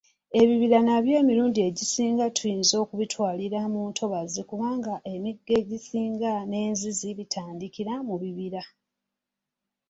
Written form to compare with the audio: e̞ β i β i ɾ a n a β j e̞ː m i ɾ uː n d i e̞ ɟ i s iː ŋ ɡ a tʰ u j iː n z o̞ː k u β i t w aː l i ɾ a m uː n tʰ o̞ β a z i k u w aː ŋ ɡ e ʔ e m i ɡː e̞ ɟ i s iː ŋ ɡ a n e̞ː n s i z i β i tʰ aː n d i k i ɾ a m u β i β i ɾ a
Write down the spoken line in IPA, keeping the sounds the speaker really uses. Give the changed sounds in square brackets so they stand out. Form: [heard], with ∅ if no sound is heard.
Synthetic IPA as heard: e̞ β i β i ɾ a n a β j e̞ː m i ɾ uː n d i e̞ ɟ i s iː ŋ ɡ a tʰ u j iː n z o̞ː k u β i t w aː l i ɾ a m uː n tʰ o̞ β a z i k u [β] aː ŋ ɡ [a] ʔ e m i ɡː e̞ ɟ i s iː ŋ ɡ a n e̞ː n [z] i z i β i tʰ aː n d i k i ɾ a m u β i β i ɾ a